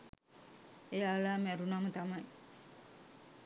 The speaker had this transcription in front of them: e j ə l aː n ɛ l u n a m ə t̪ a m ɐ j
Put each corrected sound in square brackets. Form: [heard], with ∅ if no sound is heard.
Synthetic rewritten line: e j [a] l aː [m] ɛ [ɾ] u n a m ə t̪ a m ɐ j